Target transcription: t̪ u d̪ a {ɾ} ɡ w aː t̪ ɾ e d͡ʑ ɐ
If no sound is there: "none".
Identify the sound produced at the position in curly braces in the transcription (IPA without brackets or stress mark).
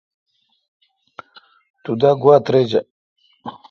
none